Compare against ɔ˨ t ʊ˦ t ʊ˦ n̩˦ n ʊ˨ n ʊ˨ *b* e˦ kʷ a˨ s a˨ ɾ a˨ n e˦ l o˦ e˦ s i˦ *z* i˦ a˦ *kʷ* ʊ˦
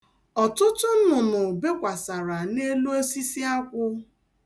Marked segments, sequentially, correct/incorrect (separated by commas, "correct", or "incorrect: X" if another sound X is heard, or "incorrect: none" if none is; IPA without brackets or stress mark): correct, incorrect: s, correct